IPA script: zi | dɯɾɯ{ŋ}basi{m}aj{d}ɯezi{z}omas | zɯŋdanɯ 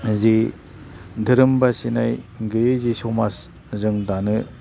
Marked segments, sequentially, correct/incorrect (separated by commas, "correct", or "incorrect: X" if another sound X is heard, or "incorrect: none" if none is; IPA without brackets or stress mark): incorrect: m, incorrect: n, incorrect: ɡ, incorrect: s